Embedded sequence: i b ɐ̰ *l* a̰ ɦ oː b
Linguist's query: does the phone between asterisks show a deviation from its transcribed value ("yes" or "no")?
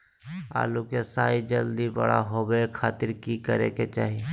yes